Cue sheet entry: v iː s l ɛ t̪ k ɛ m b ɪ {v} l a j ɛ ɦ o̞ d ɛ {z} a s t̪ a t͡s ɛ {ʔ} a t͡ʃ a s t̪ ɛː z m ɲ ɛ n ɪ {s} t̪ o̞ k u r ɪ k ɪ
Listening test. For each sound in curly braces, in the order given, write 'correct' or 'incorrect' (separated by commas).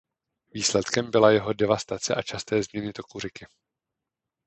incorrect, incorrect, correct, incorrect